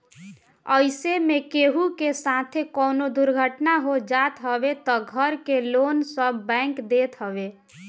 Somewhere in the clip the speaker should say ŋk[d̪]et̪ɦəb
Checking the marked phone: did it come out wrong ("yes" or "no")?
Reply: no